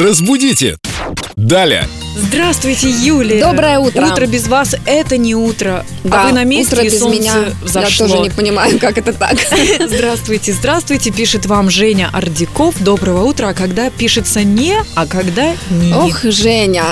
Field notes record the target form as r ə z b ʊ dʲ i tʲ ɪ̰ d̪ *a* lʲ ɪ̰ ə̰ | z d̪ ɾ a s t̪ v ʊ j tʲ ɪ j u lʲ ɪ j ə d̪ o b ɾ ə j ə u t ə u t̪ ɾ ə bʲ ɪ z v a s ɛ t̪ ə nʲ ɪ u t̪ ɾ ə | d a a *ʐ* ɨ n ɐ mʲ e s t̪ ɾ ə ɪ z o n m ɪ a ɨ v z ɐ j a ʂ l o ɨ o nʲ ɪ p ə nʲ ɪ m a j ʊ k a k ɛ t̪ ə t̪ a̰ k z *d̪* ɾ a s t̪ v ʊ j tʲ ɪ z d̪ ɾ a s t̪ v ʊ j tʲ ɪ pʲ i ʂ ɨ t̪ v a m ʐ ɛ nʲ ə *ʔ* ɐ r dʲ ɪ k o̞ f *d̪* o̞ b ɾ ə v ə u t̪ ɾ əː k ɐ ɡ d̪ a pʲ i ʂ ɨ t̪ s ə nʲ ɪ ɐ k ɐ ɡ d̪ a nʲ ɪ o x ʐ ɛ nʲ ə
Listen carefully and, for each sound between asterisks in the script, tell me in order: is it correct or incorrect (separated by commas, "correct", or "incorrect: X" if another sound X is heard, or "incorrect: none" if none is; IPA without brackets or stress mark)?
correct, incorrect: v, correct, correct, correct